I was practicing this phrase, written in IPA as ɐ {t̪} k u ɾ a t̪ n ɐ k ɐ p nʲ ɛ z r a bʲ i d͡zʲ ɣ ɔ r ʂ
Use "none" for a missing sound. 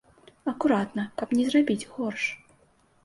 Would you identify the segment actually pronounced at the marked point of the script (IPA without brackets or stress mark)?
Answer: none